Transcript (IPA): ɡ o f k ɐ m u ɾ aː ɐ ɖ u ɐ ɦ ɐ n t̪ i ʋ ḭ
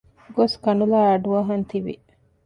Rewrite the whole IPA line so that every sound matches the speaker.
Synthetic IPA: ɡ o s k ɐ n u l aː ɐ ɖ u ɐ ɦ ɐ n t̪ i ʋ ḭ